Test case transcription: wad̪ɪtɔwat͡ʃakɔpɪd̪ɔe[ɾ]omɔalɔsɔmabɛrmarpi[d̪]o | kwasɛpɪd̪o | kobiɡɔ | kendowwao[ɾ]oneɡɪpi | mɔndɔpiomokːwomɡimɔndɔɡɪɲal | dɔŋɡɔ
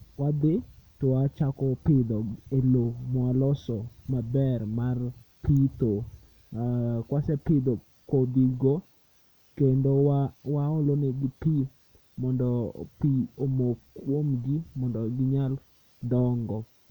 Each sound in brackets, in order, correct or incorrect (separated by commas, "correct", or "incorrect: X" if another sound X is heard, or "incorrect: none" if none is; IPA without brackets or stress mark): incorrect: l, incorrect: t̪, incorrect: l